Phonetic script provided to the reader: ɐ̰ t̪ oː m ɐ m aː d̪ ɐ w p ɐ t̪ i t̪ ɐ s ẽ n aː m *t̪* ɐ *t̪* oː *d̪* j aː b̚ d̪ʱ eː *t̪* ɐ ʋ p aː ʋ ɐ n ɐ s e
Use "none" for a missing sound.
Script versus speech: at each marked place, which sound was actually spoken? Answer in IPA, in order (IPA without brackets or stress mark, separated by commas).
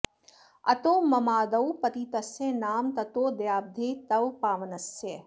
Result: t̪, t̪, d̪, t̪